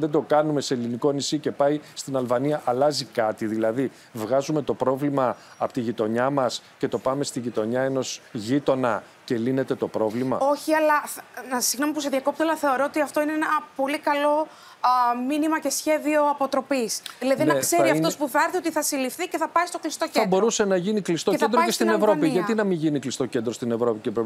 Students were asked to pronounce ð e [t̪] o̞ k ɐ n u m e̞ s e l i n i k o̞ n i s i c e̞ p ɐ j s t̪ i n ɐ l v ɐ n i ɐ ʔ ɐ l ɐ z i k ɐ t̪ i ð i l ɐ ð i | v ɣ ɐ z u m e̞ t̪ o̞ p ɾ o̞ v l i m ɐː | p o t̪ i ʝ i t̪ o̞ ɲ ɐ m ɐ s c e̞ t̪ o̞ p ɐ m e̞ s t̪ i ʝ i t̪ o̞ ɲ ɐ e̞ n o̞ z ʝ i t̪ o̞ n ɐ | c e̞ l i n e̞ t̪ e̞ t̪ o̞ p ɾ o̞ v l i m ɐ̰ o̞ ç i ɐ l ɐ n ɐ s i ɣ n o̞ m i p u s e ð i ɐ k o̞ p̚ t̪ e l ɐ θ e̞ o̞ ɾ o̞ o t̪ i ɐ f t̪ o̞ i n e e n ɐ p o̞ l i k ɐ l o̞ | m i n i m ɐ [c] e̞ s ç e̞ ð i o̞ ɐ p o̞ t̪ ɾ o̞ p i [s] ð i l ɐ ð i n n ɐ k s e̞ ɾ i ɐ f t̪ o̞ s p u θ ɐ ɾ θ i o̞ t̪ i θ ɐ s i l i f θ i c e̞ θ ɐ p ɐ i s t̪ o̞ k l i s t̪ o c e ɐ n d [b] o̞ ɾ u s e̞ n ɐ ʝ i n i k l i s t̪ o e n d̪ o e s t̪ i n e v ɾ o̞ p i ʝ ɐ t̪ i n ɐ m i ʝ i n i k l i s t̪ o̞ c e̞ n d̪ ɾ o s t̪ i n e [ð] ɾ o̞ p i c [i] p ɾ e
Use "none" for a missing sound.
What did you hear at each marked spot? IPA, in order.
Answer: d̪, c, s, b, v, e

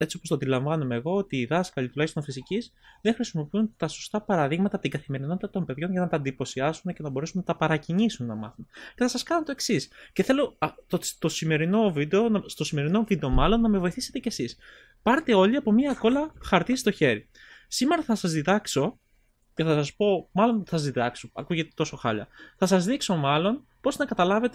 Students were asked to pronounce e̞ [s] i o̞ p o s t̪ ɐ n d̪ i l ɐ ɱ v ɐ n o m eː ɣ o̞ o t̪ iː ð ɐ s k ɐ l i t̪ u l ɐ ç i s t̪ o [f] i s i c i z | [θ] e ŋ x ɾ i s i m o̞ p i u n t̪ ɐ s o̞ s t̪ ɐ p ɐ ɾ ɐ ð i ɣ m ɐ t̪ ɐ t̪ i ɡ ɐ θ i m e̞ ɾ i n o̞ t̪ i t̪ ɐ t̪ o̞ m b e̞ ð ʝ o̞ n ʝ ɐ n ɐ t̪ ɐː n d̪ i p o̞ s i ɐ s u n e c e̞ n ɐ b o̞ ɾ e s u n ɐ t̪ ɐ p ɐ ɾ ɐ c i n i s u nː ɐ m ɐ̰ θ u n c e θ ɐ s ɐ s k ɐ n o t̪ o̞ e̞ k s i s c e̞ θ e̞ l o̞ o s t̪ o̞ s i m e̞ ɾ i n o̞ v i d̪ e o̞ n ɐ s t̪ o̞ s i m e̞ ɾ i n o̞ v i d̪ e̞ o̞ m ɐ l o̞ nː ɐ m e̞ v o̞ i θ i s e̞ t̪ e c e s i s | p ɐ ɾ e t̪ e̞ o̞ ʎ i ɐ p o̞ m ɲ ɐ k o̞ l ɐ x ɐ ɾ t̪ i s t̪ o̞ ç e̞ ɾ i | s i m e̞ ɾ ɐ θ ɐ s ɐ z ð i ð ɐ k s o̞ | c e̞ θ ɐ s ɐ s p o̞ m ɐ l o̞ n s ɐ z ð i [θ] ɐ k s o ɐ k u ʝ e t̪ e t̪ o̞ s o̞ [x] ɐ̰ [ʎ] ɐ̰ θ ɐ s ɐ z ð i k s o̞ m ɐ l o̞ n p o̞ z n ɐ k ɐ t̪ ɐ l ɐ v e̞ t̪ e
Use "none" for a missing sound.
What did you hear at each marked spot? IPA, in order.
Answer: t͡s, f, ð, ð, x, ʎ

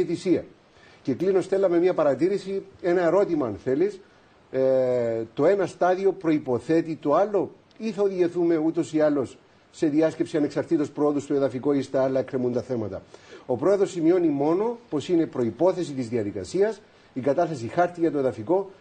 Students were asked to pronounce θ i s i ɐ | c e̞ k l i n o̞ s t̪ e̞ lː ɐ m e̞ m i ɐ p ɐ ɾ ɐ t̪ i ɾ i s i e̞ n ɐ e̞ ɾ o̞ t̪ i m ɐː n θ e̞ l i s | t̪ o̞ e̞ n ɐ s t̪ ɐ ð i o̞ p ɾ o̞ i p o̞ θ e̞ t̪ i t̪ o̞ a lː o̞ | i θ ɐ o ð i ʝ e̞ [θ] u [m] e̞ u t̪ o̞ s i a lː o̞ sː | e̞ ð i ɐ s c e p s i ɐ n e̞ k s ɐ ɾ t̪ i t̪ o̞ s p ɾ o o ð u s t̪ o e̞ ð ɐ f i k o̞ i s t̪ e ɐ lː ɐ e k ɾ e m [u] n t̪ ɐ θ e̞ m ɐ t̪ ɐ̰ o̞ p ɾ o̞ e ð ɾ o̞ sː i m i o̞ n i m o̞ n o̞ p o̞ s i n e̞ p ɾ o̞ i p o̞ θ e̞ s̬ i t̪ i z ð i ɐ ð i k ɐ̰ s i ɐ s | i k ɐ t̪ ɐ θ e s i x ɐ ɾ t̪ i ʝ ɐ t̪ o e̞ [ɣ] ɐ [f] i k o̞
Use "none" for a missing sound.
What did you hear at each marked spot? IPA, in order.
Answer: θ, m, u, ð, f

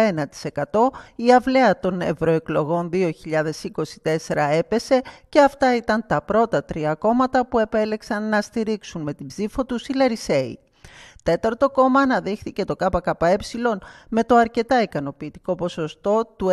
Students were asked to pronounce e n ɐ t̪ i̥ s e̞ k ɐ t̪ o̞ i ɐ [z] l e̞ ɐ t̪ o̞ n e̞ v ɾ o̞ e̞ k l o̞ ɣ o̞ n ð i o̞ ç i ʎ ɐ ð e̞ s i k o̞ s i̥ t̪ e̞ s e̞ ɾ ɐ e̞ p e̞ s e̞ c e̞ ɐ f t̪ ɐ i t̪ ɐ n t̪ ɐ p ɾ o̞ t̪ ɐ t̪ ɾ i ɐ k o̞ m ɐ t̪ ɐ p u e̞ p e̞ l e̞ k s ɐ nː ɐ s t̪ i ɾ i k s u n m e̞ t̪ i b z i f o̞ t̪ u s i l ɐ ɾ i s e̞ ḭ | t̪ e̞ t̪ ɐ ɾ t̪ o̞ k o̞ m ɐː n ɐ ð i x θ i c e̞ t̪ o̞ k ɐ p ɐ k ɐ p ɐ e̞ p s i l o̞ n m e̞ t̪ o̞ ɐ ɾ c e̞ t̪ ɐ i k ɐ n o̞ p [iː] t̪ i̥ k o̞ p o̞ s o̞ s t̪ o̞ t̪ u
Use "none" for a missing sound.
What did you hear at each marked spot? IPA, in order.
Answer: v, iː

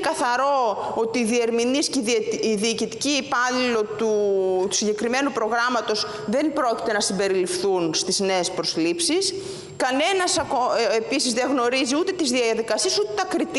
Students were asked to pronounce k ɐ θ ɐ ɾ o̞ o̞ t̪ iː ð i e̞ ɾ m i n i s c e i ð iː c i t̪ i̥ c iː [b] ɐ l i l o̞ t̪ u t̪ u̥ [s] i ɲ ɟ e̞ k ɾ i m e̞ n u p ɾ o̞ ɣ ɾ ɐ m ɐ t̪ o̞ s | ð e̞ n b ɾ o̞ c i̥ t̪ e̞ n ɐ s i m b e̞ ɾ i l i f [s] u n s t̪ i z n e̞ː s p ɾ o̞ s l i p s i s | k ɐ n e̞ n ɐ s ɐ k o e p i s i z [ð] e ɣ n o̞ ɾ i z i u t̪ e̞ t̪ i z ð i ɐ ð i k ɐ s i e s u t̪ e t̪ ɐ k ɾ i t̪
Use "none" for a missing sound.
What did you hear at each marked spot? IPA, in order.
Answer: p, s, θ, ð

